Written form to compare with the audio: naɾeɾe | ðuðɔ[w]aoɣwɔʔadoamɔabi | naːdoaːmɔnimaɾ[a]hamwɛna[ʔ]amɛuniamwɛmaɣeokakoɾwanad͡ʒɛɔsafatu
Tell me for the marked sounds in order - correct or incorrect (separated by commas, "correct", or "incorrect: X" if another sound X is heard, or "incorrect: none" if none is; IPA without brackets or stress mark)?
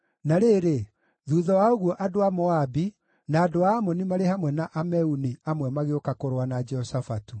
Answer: correct, incorrect: e, correct